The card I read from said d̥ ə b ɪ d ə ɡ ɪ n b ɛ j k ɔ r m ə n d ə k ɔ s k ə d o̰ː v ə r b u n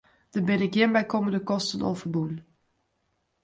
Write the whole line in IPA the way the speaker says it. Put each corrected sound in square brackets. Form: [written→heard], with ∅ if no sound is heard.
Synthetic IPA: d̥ ə b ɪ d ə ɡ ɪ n b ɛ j k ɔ [r→∅] m ə n d ə k ɔ s [k→t] ə [d→n] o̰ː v ə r b u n